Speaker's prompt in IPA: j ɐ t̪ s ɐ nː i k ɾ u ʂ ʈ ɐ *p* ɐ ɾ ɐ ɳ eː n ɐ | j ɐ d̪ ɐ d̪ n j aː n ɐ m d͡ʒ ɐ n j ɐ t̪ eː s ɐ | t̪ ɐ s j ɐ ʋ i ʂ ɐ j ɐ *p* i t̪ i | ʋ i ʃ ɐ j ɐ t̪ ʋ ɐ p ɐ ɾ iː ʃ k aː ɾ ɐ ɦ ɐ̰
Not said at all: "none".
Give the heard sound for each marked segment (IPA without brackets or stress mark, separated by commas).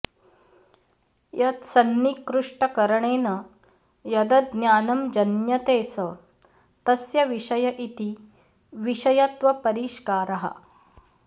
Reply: k, ʔ